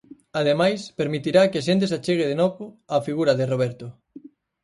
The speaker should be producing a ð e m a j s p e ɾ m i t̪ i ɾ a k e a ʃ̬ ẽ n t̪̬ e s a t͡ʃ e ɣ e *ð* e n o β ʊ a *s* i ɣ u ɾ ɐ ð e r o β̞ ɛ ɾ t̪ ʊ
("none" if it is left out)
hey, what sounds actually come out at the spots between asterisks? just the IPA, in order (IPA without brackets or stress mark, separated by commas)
ð, f